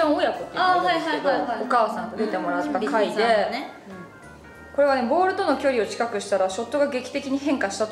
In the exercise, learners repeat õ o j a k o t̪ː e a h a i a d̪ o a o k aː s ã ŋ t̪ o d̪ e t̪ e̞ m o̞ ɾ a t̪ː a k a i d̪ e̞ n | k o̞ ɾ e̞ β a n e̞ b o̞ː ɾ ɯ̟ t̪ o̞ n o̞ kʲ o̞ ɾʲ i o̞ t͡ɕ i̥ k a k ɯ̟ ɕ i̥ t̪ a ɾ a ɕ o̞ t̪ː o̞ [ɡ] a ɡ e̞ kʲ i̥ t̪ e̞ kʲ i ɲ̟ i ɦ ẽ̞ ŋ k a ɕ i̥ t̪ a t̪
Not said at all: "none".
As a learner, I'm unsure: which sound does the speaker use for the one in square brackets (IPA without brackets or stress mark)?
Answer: ɡ